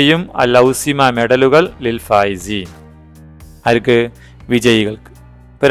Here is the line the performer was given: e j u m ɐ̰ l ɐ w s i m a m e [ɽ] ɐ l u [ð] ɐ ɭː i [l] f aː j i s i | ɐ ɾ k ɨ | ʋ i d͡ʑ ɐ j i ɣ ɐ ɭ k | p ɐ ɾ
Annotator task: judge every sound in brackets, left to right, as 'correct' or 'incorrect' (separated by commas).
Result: correct, incorrect, correct